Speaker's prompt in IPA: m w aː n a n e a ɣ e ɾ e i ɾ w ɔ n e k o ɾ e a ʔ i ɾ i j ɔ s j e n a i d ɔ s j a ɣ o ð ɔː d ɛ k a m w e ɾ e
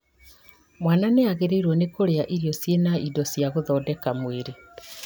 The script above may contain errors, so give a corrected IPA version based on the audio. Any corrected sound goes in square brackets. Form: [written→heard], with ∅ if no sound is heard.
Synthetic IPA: m w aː n a n e a ɣ e ɾ e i ɾ w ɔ n e k o ɾ e a ʔ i ɾ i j ɔ s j e n a i d ɔ s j a ɣ o ð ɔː d ɛ k a m w e ɾ e